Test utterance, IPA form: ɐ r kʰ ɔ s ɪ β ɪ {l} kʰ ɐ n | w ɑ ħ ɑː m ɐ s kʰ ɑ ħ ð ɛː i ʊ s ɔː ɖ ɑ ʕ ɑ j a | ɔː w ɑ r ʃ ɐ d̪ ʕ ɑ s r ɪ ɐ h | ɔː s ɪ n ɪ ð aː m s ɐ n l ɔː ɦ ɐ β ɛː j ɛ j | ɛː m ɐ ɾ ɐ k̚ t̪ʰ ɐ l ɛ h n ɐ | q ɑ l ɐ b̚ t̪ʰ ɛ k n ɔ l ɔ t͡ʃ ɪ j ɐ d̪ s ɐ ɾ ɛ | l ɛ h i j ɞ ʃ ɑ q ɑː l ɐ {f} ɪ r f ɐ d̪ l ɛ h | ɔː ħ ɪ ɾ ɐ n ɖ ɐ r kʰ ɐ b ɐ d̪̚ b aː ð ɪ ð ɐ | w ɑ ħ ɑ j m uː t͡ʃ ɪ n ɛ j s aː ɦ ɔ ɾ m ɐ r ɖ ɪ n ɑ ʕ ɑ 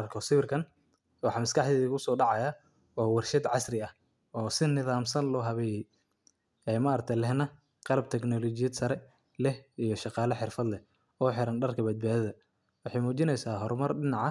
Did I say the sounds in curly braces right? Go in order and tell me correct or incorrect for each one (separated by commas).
incorrect, incorrect